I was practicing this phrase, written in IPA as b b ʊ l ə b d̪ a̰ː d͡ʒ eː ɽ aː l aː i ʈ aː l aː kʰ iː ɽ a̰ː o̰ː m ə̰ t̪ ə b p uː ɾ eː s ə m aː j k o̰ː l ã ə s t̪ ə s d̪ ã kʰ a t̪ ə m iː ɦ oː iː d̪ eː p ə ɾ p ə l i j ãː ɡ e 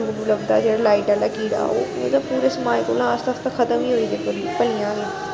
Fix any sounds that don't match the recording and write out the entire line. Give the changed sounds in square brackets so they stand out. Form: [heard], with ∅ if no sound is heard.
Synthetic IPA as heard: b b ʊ l ə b d̪ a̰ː d͡ʒ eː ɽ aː l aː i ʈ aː l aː [k] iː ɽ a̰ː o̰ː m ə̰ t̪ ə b p uː ɾ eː s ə m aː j k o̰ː l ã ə s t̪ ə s [t̪] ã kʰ [ə] t̪ ə m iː ɦ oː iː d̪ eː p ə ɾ p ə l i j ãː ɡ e